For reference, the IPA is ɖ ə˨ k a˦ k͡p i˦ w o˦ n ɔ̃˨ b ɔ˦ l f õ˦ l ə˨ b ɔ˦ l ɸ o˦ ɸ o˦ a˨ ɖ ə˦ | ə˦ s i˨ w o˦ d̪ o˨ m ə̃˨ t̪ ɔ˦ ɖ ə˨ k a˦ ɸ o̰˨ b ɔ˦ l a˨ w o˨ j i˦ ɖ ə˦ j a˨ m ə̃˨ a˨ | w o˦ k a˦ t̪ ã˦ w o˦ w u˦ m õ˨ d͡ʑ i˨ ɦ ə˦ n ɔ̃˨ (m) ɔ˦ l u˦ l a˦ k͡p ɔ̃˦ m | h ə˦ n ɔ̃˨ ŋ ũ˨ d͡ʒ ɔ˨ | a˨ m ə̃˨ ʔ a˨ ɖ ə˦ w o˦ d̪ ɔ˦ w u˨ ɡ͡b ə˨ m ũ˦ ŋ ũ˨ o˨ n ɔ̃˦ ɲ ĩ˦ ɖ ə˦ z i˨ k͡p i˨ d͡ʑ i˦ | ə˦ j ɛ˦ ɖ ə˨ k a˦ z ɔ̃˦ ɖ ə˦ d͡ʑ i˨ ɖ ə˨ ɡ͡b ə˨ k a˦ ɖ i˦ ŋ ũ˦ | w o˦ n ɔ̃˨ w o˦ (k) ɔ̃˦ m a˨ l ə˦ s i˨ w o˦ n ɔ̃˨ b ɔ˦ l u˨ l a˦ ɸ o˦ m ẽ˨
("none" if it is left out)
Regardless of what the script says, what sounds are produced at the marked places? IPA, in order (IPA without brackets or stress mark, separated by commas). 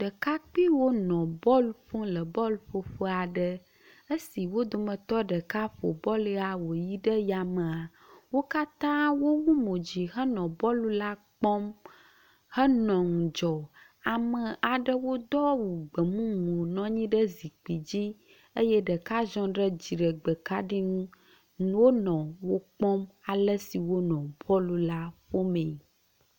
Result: b, k͡p